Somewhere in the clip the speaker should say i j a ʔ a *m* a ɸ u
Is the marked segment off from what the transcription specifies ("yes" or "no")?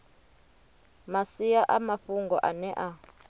no